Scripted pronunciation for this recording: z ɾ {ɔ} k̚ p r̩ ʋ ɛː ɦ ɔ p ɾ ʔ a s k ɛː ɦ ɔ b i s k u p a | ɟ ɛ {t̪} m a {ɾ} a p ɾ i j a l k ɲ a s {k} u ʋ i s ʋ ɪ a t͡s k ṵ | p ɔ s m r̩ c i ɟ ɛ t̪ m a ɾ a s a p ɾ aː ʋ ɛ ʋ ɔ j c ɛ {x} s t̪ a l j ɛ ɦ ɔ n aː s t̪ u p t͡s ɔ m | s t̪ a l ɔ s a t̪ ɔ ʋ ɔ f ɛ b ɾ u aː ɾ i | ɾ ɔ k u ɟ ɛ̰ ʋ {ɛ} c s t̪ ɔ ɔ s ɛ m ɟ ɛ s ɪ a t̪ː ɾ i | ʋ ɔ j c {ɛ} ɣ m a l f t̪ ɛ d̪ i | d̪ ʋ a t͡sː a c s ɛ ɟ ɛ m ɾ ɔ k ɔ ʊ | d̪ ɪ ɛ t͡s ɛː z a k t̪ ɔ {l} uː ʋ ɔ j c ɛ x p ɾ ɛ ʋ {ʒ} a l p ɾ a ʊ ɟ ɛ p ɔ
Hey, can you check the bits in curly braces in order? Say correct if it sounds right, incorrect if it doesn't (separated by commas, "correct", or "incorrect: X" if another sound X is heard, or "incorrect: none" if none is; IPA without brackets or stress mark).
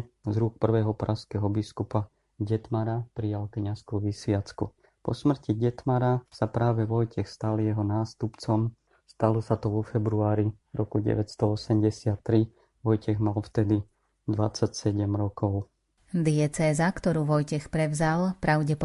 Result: incorrect: u, correct, correct, correct, correct, correct, correct, incorrect: ɾ, incorrect: z